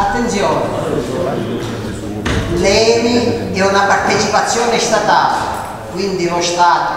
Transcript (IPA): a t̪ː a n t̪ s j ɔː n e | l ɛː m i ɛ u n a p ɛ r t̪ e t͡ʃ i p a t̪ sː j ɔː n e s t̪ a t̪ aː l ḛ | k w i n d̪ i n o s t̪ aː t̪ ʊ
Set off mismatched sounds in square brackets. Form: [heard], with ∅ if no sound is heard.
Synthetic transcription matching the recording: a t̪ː [e] n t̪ s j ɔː n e | l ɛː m i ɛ u n a p [a] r t̪ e t͡ʃ i p a t̪ sː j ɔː n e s t̪ a t̪ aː l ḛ | k w i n d̪ i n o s t̪ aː t̪ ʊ